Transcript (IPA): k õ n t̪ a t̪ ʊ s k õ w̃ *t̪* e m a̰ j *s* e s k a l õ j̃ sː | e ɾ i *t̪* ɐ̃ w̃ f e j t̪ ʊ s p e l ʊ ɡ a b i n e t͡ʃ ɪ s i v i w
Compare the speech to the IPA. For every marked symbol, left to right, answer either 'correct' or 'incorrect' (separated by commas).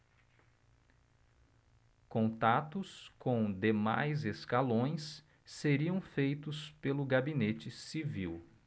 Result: incorrect, incorrect, incorrect